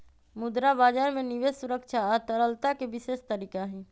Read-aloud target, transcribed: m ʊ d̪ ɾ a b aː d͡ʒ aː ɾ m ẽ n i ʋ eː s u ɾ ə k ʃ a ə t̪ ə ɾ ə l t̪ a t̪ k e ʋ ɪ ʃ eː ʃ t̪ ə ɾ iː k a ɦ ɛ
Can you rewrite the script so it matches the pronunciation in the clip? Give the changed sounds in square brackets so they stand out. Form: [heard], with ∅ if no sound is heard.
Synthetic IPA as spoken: m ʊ d̪ ɾ a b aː d͡ʒ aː ɾ m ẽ n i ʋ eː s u ɾ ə k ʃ a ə t̪ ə ɾ ə l t̪ a [∅] k e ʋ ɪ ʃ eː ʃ t̪ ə ɾ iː k a ɦ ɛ